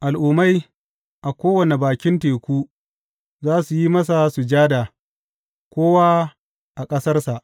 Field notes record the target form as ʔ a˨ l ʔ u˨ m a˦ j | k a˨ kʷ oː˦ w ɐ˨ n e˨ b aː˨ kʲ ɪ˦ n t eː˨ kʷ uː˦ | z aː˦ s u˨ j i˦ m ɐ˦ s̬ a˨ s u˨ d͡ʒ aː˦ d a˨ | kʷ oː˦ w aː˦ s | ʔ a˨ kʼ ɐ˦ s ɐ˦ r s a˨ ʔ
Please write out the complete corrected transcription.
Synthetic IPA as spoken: ʔ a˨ l ʔ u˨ m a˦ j | ʔ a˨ kʷ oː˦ w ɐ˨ n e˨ b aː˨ kʲ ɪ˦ n t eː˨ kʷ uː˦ | z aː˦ s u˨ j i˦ m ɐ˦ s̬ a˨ s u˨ d͡ʒ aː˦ d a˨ | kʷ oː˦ w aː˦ | ʔ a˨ kʼ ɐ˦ s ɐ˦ r s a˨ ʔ

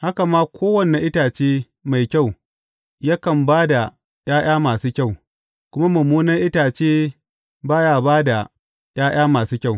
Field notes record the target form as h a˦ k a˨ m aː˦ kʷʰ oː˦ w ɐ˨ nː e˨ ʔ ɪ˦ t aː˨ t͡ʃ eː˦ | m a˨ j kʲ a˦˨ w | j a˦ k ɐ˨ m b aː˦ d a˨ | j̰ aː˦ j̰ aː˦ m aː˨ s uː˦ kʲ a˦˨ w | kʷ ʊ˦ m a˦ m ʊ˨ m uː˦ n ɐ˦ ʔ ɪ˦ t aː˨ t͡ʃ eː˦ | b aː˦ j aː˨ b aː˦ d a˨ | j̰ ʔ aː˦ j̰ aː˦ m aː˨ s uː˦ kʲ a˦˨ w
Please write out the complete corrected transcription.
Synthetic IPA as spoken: h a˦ k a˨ m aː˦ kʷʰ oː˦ w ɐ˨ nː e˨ ʔ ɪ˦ t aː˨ t͡ʃ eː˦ | m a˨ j kʲ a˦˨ w | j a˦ k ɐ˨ m b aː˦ d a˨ | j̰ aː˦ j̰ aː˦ m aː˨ s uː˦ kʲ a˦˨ w | kʷ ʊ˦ m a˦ m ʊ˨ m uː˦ n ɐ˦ ʔ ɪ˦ t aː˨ t͡ʃ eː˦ | b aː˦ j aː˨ b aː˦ d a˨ | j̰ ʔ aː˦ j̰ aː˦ m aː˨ s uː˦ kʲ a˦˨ w

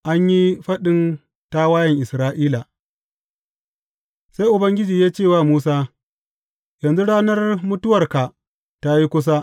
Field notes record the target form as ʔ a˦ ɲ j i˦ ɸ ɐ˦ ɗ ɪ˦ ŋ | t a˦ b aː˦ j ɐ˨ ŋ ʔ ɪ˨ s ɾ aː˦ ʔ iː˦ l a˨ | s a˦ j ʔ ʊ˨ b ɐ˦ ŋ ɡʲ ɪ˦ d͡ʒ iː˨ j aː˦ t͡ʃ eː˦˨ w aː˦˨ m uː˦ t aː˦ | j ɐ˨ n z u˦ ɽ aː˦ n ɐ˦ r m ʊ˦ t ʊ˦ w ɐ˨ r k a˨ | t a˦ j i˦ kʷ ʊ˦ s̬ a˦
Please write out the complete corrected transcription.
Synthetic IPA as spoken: ʔ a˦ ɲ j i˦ ɸ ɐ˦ ɗ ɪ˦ n | t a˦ w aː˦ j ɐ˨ ŋ ʔ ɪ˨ s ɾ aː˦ ʔ iː˦ l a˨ | s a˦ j ʔ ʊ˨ b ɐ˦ ŋ ɡʲ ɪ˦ d͡ʒ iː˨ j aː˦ t͡ʃ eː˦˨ w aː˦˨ m uː˦ s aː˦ | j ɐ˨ n z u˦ ɽ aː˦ n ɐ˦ r m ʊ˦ t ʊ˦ w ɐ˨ r k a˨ | t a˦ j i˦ kʷ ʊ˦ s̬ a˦

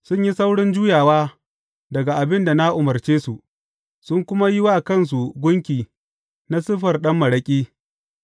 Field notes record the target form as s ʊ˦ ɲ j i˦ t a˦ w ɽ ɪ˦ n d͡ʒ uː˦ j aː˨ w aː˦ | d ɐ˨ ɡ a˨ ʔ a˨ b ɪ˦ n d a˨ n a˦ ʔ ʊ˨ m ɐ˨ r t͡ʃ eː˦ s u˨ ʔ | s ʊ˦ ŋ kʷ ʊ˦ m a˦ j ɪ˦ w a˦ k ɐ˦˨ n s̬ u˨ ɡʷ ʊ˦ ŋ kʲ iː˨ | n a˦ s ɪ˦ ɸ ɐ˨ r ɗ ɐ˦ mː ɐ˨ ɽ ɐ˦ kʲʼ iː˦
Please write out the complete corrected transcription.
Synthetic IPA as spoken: s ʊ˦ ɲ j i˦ s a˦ w ɽ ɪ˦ n d͡ʒ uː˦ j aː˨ w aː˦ | d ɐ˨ ɡ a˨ ʔ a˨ b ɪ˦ n d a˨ n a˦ ʔ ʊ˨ m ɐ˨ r t͡ʃ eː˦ s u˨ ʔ | s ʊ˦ ŋ kʷ ʊ˦ m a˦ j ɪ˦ w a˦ k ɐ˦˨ n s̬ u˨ ɡʷ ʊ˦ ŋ kʲ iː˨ | n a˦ s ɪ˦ ɸ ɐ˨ r ɗ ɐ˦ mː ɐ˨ ɽ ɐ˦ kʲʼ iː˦

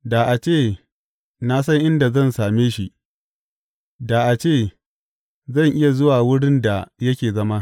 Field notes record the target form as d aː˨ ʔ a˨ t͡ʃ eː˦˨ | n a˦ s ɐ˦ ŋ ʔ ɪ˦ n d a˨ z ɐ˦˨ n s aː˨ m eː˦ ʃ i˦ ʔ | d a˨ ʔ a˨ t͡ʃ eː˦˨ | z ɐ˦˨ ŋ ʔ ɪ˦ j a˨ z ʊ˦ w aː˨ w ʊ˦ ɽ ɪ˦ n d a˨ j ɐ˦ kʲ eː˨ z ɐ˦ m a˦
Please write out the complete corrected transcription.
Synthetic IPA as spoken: d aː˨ ʔ a˨ t͡ʃ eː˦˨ | n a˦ s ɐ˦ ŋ ʔ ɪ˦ n d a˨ z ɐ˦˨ n s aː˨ m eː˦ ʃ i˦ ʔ | d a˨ ʔ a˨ t͡ʃ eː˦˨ | z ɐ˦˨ ŋ ʔ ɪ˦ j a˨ z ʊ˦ w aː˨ w ʊ˦ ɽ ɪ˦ n d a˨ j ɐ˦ kʲ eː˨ z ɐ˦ m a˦

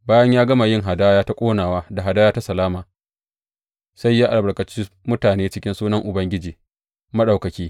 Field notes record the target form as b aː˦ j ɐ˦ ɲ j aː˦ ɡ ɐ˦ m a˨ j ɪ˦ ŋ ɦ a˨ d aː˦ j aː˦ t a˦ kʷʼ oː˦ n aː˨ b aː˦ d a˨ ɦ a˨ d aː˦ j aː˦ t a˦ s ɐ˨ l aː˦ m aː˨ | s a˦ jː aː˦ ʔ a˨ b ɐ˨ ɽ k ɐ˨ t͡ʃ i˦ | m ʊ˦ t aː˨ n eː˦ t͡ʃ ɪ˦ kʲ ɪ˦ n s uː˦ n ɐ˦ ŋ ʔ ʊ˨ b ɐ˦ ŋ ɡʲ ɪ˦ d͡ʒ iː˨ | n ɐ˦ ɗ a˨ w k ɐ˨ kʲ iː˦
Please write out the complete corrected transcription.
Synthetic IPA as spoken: b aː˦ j ɐ˦ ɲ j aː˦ ɡ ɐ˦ m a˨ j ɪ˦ ŋ ɦ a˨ d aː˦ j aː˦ t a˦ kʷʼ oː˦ n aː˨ w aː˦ d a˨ ɦ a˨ d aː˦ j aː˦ t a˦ s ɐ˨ l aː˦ m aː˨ | s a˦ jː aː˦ ʔ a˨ b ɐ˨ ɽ k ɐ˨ t͡ʃ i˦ | m ʊ˦ t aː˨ n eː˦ t͡ʃ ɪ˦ kʲ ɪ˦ n s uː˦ n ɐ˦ ŋ ʔ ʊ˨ b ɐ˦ ŋ ɡʲ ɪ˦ d͡ʒ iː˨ | m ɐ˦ ɗ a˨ w k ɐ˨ kʲ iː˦

